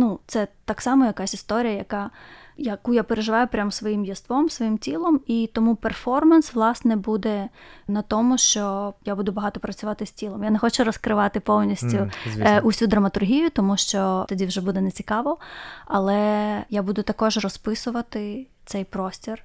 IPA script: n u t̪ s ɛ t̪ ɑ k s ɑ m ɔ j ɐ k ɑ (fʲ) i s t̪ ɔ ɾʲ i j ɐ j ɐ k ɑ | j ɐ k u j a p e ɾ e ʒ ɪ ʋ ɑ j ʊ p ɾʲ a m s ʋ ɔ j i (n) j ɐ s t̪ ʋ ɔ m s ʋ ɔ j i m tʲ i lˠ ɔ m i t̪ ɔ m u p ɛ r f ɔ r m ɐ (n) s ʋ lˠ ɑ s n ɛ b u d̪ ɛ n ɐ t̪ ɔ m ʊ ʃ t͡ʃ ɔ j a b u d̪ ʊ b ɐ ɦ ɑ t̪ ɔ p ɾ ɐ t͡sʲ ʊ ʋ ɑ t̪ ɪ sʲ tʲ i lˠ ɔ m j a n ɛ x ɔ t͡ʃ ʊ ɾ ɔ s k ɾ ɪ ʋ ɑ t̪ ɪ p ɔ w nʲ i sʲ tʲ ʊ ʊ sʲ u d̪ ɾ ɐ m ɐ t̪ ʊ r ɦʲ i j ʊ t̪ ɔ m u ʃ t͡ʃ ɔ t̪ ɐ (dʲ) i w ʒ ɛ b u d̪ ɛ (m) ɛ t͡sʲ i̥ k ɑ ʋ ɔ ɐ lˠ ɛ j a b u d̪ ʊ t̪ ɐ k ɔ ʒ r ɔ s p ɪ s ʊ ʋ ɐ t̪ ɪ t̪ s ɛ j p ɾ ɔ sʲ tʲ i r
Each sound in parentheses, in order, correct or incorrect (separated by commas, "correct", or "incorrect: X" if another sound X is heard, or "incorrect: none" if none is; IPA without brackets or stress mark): incorrect: sʲ, incorrect: m, correct, correct, incorrect: n